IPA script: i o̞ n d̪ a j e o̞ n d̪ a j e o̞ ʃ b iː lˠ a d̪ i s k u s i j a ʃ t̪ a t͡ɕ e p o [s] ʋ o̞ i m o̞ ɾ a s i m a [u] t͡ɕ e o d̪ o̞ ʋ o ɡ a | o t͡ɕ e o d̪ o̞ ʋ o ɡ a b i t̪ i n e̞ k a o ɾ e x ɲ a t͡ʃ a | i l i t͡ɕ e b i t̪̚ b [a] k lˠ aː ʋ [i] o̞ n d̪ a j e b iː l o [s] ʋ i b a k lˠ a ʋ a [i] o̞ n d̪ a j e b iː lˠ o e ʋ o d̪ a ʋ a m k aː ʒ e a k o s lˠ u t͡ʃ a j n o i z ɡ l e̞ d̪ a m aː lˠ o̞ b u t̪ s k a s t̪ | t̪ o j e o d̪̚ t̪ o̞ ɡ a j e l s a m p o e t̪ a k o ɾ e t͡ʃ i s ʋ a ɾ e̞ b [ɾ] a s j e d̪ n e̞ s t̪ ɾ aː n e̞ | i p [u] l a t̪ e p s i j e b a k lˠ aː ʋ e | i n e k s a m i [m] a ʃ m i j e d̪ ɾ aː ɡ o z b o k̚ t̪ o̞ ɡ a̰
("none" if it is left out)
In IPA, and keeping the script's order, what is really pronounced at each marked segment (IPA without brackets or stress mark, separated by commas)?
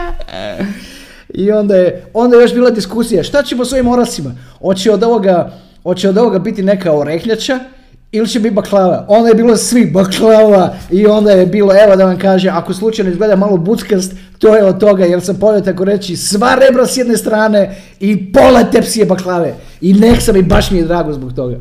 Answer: s, o, a, a, s, i, ɾ, o, b